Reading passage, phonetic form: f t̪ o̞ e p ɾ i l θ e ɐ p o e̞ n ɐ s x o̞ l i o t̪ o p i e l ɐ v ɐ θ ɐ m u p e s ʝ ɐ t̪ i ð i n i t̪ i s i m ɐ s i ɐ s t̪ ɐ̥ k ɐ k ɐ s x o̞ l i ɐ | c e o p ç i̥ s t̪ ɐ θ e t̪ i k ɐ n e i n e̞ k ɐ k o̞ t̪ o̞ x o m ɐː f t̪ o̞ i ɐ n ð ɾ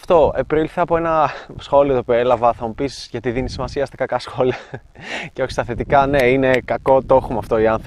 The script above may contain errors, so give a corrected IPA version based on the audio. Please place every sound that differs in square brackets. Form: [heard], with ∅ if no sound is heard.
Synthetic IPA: f t̪ o̞ e p ɾ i l θ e ɐ p o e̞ n ɐ s x o̞ l i o t̪ o p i e l ɐ v ɐ θ ɐ m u p [i] s ʝ ɐ t̪ i ð i n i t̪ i s i m ɐ s i ɐ s t̪ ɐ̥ k ɐ k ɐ s x o̞ l i ɐ | c e o [∅] ç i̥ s t̪ ɐ θ e t̪ i k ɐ n e i n e̞ k ɐ k o̞ t̪ o̞ x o m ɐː f t̪ o̞ i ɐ n [θ] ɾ